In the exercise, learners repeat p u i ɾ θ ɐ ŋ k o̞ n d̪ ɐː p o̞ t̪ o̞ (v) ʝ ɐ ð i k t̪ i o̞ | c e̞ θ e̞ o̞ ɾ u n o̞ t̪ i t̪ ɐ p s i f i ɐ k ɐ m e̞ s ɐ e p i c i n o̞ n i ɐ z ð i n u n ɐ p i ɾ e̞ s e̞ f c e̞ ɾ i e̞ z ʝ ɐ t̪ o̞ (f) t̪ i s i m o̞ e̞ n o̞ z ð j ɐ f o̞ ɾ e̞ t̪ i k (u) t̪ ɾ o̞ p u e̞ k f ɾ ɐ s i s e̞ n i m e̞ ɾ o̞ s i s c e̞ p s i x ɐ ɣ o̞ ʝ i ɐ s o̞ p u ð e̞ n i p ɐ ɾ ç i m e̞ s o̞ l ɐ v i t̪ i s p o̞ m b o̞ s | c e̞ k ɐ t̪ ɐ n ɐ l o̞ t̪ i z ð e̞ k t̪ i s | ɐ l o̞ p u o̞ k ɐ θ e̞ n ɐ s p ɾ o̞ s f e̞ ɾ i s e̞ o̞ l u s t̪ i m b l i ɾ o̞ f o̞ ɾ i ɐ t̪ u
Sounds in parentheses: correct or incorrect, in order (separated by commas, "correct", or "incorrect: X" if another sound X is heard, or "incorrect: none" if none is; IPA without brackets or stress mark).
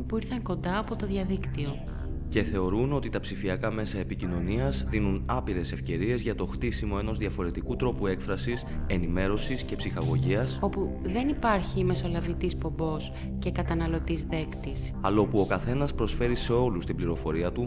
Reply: incorrect: ð, incorrect: x, correct